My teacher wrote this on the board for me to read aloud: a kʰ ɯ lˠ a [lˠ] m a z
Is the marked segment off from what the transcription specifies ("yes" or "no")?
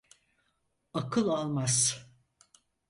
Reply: no